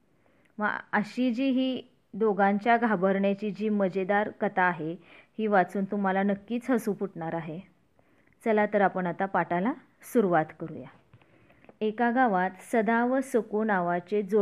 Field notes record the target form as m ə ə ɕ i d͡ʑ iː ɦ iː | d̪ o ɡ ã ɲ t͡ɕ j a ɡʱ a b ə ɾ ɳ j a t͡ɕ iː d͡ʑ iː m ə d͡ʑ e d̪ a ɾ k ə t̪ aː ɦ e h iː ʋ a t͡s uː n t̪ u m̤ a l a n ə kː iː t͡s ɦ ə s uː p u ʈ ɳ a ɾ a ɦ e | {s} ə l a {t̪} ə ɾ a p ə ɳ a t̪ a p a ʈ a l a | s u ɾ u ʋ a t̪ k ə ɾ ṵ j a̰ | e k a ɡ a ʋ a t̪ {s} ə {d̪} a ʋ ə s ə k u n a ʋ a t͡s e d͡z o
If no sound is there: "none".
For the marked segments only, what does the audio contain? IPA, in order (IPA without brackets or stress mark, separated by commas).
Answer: t͡s, t̪, s, d̪